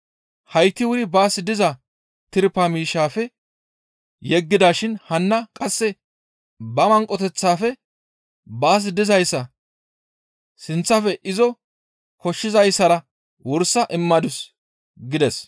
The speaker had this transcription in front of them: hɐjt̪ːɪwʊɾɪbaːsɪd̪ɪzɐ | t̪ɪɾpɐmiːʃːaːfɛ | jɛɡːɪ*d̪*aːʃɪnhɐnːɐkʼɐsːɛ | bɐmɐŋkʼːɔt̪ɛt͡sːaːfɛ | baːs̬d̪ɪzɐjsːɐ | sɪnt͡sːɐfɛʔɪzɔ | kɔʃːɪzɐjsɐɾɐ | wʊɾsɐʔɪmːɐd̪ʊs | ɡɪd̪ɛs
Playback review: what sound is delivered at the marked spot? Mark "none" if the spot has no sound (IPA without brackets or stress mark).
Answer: d̪